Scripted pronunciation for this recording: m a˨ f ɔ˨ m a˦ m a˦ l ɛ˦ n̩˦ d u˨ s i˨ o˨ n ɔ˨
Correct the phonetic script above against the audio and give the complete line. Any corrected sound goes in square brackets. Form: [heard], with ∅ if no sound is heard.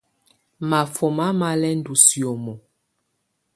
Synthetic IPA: m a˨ f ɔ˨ m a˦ m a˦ l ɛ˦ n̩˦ d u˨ s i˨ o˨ [m] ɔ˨